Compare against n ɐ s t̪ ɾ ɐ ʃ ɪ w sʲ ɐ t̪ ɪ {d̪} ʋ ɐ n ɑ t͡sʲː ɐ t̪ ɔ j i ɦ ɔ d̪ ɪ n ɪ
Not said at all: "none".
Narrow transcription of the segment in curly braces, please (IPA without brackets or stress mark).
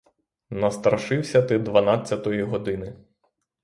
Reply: d̪